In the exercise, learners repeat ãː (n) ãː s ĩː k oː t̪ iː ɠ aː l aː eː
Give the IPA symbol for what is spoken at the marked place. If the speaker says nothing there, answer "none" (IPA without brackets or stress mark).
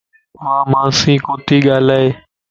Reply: m